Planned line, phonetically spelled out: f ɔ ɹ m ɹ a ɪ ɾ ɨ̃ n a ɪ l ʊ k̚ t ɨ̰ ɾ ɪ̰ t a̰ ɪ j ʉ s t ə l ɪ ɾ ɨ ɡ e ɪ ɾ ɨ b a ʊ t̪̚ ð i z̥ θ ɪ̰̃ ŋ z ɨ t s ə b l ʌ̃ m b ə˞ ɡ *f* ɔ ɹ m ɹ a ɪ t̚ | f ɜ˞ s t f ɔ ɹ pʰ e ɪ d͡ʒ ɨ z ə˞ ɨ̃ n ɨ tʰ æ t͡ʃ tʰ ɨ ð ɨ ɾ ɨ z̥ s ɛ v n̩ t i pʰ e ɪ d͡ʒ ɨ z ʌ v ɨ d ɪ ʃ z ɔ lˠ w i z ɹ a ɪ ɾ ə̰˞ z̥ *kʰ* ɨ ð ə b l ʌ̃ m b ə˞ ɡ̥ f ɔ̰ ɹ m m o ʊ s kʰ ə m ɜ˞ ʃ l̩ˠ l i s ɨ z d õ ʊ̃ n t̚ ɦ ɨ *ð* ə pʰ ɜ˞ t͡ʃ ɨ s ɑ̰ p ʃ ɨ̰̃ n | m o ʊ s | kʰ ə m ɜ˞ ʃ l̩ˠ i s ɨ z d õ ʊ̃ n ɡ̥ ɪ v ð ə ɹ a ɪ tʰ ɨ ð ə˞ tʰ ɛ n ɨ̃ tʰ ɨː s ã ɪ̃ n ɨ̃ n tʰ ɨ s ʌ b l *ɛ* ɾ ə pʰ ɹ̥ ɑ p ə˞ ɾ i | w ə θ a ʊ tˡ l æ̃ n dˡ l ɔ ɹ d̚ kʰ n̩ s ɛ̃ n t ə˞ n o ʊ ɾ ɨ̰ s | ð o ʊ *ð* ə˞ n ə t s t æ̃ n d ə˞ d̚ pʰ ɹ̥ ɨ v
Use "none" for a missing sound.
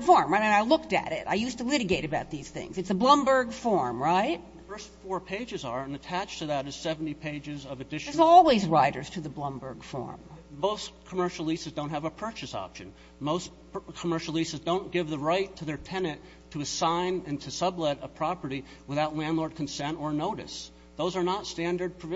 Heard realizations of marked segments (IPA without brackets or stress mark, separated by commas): f, tʰ, v, ɛ, z